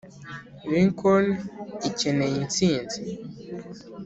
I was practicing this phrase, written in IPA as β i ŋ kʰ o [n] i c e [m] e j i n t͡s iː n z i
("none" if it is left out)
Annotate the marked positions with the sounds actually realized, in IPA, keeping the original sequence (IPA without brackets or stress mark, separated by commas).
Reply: n, n